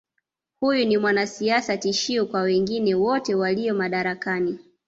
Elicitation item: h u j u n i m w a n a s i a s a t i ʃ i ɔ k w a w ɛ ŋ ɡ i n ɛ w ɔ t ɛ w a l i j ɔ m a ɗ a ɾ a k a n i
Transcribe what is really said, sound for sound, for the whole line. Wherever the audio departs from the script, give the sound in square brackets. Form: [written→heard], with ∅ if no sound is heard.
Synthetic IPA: h u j u n i m w a n a s i a s a t i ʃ i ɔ k w a w ɛ ŋ ɡ i n ɛ w ɔ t ɛ w a l i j ɔ m a ɗ a ɾ a k a n i

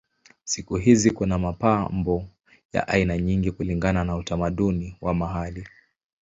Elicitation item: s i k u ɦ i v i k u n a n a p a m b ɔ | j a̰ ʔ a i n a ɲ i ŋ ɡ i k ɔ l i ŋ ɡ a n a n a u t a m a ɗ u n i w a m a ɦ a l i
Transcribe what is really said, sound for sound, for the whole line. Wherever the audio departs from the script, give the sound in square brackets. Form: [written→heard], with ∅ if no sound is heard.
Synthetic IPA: s i k u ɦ i [v→z] i k u n a [n→m] a p a m b ɔ | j a̰ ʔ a i n a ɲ i ŋ ɡ i k [ɔ→u] l i ŋ ɡ a n a n a u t a m a ɗ u n i w a m a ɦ a l i

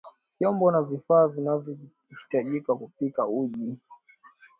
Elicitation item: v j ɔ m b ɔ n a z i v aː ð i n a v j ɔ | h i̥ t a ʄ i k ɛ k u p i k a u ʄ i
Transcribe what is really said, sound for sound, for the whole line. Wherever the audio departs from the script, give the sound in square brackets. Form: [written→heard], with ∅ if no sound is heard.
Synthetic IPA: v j ɔ m b ɔ n a [z→v] i [v→f] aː [ð→v] i n a v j ɔ | h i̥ t a ʄ i k [ɛ→a] k u p i k a u ʄ i

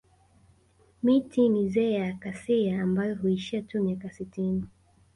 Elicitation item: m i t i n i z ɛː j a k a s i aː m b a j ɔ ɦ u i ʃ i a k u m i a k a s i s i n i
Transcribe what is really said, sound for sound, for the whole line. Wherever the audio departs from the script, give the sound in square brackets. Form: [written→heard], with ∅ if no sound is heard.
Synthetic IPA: m i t i n i z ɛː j a k a s i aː m b a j ɔ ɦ u i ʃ i a [k→t] u m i a k a s i [s→t] i n i

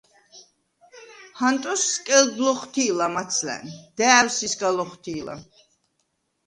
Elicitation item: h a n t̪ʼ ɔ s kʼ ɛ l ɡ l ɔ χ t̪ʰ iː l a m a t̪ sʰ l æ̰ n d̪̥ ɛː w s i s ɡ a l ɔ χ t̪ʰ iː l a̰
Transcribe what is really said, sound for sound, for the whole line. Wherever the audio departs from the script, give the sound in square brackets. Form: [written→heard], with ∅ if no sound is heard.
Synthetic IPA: h a n t̪ʼ ɔ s kʼ ɛ l ɡ l ɔ χ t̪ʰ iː l a m a t̪ sʰ l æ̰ n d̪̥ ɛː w s i s ɡ a l ɔ χ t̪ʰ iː l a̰

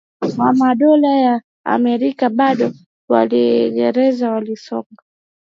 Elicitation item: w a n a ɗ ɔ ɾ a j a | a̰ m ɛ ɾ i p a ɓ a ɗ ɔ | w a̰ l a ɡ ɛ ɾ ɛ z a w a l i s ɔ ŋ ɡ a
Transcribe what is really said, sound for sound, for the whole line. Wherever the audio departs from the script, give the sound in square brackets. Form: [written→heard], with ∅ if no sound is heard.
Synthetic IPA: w a [n→m] a ɗ ɔ [ɾ→l] a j a | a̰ m ɛ ɾ i [p→k] a ɓ a ɗ ɔ | w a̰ l [a→i] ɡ ɛ ɾ ɛ z a w a l i s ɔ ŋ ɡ a

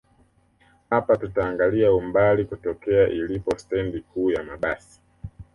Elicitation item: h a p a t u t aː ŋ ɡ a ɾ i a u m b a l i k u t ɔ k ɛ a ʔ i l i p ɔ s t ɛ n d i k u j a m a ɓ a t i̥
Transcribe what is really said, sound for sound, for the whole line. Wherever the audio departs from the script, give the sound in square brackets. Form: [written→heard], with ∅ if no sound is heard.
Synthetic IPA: h a p a t u t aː ŋ ɡ a [ɾ→l] i a u m b a l i k u t ɔ k ɛ a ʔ i l i p ɔ s t ɛ n d i k [u→uː] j a m a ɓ a [t→s] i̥

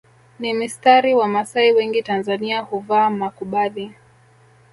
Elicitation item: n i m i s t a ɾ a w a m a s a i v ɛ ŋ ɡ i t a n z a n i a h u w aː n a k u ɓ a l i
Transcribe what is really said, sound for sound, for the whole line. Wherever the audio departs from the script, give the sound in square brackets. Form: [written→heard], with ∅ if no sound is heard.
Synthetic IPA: n i m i s t a ɾ [a→i] w a m a s a i [v→w] ɛ ŋ ɡ i t a n z a n i a h u [w→v] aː [n→m] a k u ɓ a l i

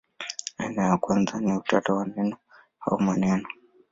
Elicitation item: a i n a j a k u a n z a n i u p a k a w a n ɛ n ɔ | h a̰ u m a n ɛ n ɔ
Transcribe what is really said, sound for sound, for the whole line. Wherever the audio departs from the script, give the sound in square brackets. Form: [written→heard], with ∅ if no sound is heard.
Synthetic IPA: a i n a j a k [u→w] a n z a n i u [p→t] a [k→t] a w a n ɛ n ɔ | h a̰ u m a n ɛ n ɔ

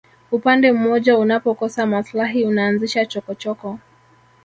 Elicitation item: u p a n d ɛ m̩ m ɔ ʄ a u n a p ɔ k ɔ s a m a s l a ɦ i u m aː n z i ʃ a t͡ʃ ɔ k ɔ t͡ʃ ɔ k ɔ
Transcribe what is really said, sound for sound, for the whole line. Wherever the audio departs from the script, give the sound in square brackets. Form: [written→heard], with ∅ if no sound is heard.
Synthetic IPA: u p a n d ɛ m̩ m ɔ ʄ a u n a p ɔ k ɔ s a m a s l a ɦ i u [m→n] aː n z i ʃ a t͡ʃ ɔ k ɔ t͡ʃ ɔ k ɔ

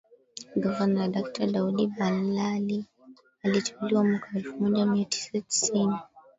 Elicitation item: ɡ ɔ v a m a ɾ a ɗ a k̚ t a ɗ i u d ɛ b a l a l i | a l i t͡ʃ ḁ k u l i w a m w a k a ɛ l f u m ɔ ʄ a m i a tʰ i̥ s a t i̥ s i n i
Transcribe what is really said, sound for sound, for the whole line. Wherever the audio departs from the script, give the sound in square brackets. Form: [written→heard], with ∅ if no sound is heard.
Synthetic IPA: ɡ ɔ v a [m→n] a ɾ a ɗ a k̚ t a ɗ [i→a] u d [ɛ→i] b a l a l i | a l i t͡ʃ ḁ k u l i w a m w a k a ɛ l f u m ɔ ʄ a m i a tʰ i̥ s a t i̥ s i n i

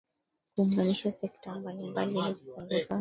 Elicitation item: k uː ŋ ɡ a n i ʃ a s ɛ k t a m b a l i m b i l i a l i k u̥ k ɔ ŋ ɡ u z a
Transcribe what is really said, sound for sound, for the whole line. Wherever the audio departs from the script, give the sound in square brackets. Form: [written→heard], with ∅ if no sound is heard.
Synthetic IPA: k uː ŋ ɡ a n i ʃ a s ɛ k t a m b a l i m b [i→a] l i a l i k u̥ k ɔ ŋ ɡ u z a

